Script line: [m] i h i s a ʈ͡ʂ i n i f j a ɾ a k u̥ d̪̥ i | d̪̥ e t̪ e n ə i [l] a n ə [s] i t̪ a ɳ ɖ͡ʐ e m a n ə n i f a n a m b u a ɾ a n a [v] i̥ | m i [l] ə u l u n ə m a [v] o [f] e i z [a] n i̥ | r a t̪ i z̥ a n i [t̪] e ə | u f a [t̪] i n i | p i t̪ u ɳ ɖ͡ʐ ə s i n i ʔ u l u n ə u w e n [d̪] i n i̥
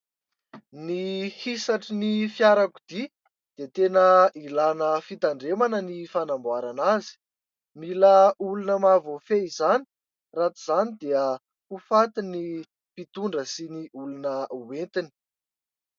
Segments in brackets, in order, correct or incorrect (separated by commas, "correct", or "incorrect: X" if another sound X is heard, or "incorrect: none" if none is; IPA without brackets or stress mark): incorrect: n, correct, incorrect: f, incorrect: z, correct, correct, correct, correct, incorrect: d̪, correct, incorrect: t̪